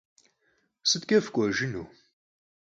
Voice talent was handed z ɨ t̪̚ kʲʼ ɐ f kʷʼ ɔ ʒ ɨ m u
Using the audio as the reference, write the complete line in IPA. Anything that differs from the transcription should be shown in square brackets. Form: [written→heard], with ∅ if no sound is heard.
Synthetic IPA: [z→s] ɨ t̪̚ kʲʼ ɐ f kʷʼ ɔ ʒ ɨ [m→n] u